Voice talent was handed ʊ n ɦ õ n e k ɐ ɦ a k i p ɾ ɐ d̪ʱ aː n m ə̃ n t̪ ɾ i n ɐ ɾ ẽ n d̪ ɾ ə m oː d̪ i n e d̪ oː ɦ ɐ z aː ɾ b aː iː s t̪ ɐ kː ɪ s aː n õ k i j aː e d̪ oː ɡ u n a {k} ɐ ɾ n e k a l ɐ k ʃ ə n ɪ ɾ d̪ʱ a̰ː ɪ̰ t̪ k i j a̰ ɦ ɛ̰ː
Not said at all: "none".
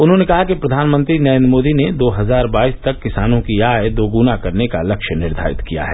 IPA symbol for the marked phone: k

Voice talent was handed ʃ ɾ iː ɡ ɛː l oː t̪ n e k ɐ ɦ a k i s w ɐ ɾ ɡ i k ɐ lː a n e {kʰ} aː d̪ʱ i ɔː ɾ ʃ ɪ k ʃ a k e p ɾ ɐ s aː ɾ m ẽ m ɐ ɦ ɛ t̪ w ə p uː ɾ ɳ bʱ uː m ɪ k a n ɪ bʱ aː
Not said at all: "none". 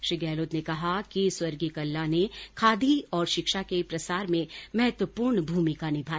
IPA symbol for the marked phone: kʰ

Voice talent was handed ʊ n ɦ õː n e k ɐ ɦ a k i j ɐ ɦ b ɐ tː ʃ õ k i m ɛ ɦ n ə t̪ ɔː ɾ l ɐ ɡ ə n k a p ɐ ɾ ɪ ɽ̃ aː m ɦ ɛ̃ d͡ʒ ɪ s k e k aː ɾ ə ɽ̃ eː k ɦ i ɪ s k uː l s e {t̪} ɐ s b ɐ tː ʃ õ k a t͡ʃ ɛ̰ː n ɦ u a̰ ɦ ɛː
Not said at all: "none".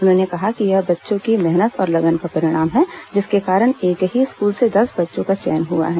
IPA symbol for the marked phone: d̪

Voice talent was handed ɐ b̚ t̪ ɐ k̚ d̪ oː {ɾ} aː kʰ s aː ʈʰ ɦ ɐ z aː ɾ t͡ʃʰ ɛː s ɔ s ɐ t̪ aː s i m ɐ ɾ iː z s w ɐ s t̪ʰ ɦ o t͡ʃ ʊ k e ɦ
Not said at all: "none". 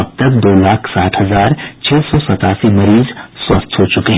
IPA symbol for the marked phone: l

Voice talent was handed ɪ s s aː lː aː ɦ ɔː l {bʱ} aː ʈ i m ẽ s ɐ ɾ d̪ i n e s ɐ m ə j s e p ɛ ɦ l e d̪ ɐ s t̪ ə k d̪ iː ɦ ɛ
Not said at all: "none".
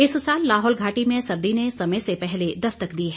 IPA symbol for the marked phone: ɡʱ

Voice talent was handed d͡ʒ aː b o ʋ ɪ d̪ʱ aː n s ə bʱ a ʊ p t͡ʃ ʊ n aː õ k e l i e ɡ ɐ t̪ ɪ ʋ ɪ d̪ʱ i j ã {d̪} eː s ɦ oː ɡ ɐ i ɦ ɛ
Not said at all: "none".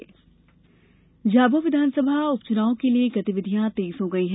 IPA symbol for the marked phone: t̪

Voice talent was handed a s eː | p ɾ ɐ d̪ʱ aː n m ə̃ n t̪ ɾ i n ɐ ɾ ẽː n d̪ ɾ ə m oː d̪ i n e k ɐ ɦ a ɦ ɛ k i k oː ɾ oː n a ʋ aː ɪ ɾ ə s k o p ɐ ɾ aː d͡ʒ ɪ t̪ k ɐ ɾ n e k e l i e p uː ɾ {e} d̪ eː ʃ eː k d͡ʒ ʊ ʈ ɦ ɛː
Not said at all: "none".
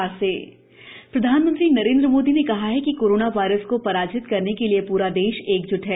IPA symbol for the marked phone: a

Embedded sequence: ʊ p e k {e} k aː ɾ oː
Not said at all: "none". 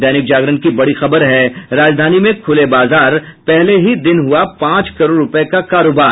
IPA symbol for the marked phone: a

